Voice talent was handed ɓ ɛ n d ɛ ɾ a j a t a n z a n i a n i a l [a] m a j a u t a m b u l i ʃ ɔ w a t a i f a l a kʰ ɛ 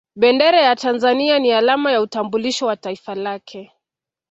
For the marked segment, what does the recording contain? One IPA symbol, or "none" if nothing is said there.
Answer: a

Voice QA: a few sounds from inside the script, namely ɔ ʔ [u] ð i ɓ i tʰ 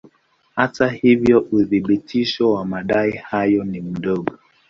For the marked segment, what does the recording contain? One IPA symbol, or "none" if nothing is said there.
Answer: u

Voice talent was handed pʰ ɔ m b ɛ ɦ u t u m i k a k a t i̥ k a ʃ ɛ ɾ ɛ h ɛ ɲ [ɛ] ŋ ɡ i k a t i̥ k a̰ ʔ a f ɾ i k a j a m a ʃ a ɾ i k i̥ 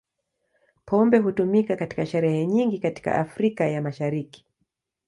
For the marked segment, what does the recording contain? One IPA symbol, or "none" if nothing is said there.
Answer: i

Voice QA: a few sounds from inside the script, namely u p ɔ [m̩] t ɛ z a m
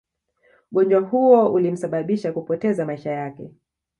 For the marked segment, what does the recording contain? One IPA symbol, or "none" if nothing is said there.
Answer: none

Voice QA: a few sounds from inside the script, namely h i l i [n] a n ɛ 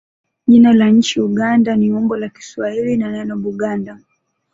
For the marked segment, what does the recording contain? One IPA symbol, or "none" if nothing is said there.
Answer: n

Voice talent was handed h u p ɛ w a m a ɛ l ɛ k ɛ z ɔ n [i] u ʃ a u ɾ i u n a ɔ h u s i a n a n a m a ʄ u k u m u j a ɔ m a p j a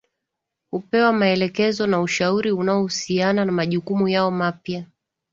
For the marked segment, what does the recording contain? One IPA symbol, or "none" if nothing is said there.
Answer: a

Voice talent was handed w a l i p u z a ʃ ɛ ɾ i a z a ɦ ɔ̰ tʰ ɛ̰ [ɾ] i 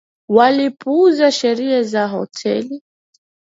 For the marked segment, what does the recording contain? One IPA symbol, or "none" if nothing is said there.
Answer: l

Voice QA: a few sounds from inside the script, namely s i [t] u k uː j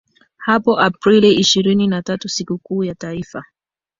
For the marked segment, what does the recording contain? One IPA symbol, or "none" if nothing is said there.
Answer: k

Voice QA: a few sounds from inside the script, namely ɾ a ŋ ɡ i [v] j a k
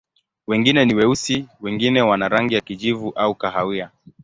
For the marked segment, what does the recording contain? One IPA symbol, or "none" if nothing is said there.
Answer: none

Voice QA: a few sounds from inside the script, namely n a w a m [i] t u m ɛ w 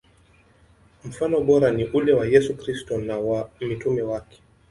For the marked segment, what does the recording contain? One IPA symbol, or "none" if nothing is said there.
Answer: i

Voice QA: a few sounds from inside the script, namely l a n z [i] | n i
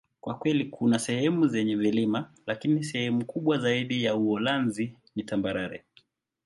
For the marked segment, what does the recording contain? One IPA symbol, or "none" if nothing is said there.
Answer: i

